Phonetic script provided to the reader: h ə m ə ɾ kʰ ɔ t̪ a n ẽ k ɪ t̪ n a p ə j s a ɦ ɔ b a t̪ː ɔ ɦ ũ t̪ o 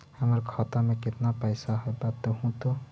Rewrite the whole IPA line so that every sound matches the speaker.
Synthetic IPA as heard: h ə m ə ɾ kʰ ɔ t̪ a m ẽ k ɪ t̪ n a p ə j s a ɦ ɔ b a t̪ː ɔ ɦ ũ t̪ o